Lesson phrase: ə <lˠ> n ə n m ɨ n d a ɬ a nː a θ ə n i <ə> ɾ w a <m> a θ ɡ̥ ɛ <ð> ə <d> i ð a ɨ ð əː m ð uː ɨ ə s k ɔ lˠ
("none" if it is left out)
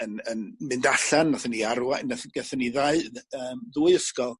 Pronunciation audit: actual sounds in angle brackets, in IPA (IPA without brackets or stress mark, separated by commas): none, a, n, θ, n